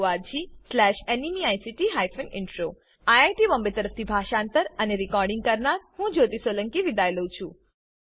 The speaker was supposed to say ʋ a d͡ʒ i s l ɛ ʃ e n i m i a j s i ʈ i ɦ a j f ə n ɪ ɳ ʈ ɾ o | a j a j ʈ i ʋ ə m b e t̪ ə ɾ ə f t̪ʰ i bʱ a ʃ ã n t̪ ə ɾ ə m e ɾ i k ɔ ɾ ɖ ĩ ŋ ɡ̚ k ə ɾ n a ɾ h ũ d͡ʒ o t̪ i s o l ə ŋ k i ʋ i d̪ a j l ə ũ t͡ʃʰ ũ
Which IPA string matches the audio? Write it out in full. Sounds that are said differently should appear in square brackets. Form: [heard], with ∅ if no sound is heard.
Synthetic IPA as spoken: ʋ a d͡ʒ i s l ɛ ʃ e n i m i a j s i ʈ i ɦ a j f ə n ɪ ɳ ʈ ɾ o | a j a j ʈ i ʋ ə m b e t̪ ə ɾ ə f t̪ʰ i bʱ a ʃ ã n t̪ ə ɾ ə [n] e ɾ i k ɔ ɾ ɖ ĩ ŋ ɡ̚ k ə ɾ n a ɾ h ũ d͡ʒ o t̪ i s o l ə ŋ k i ʋ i d̪ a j l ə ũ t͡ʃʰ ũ